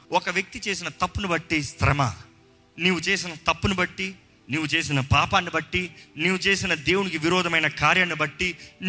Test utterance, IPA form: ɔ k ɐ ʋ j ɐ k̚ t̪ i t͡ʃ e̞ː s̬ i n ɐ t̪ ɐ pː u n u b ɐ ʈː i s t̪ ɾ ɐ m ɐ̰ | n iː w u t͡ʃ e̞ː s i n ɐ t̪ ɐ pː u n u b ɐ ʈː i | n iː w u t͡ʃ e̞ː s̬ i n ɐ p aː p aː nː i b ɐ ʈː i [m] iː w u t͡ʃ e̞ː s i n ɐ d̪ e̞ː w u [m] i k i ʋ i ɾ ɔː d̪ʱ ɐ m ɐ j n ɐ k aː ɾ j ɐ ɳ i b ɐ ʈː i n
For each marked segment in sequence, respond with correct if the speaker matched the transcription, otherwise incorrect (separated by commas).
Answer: incorrect, incorrect